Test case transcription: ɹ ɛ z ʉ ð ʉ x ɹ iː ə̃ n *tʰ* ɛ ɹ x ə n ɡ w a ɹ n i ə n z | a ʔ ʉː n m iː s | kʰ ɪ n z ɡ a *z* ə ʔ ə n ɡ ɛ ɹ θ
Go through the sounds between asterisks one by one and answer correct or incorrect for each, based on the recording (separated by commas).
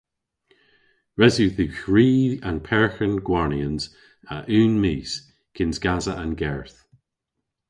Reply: incorrect, correct